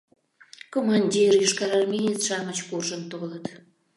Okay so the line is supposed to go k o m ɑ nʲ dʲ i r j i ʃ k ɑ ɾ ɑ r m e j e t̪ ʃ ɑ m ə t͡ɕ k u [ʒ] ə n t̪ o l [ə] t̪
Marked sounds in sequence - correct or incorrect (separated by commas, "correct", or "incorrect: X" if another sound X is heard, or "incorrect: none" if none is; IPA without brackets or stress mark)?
correct, correct